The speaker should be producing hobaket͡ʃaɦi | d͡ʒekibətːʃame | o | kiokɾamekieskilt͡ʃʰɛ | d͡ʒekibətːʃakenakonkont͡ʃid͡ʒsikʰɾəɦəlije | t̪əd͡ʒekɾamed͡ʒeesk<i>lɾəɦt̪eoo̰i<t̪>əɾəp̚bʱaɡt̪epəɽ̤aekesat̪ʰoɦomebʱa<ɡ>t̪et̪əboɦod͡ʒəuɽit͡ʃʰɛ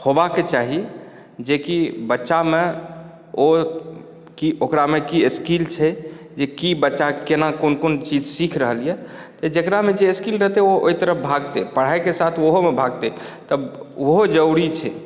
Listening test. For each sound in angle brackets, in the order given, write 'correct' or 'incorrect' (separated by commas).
correct, correct, correct